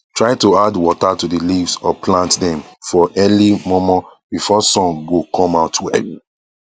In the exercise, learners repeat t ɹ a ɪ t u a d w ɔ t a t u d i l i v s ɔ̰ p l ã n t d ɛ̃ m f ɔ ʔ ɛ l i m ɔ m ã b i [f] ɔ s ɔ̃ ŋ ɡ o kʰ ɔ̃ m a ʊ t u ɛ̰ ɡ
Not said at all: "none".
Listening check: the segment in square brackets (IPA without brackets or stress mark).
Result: f